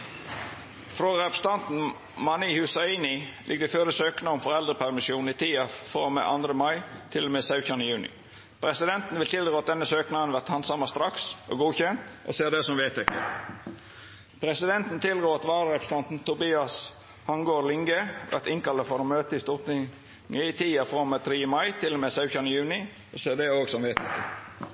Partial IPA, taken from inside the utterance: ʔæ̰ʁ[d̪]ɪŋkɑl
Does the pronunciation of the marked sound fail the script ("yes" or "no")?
yes